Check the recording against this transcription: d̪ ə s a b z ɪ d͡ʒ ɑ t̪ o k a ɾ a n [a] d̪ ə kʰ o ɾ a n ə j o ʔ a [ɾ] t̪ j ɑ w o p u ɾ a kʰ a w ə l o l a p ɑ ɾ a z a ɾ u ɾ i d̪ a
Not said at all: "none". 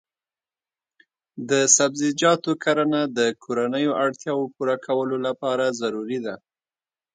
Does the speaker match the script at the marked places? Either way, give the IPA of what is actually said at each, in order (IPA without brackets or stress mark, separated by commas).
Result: a, ɽ